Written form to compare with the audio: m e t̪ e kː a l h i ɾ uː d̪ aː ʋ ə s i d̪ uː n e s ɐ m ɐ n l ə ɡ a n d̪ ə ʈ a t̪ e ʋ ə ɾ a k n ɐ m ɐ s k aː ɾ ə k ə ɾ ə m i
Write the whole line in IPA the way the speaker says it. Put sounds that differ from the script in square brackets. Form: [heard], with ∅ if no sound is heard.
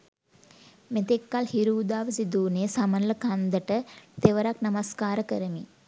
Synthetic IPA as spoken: m e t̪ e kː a l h i ɾ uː d̪ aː ʋ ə s i d̪ uː n e s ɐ m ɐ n l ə [k] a n d̪ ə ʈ [ə] t̪ e ʋ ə ɾ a k n ɐ m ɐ s k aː ɾ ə k ə ɾ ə m i